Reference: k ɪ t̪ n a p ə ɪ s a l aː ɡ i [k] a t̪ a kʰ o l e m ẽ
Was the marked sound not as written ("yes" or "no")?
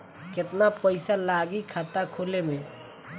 yes